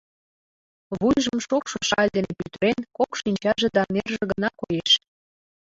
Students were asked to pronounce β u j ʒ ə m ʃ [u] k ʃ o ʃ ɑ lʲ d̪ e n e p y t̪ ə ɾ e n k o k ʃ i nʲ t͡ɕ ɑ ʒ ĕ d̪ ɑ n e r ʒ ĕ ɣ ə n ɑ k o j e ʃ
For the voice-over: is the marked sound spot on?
no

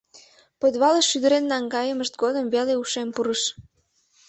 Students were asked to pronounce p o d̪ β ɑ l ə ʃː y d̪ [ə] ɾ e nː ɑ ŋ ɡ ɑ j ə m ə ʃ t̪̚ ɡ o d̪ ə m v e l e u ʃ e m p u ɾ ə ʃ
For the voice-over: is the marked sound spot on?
yes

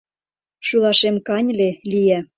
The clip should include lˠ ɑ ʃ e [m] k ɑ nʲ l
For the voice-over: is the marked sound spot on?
yes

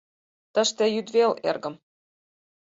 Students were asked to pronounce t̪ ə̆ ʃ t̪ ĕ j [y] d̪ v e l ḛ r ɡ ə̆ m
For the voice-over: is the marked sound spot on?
yes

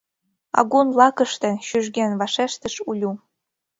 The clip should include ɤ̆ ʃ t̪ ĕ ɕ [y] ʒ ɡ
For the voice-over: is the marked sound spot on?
yes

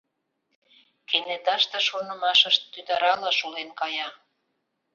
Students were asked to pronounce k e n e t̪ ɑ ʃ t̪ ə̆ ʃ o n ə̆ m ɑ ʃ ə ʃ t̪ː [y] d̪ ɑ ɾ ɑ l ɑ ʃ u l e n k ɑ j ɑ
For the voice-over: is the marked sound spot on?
yes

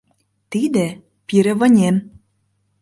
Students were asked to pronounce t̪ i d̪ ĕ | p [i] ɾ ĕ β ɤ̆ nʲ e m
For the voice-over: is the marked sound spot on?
yes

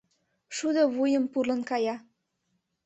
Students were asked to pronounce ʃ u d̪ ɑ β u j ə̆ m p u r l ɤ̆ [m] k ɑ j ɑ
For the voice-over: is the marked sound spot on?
no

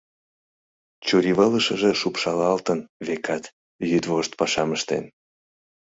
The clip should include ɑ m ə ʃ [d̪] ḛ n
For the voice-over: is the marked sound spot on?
no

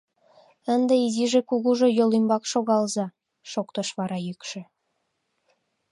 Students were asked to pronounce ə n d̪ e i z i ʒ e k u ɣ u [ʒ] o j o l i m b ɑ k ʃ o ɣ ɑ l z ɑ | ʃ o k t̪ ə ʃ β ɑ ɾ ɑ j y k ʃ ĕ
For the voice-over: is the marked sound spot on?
yes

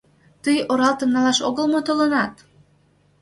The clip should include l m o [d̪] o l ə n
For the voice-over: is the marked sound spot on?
no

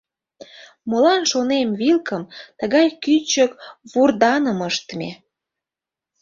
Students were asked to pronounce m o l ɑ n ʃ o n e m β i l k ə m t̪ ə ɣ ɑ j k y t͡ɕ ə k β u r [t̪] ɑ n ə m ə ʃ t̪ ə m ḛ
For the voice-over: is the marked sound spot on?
no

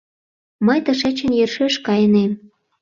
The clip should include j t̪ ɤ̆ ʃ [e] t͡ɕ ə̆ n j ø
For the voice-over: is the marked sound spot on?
yes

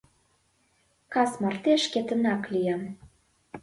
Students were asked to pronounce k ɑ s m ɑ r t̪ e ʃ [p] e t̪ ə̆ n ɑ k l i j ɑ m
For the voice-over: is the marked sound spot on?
no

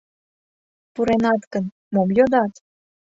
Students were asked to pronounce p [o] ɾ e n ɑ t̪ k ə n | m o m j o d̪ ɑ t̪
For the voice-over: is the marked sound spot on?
no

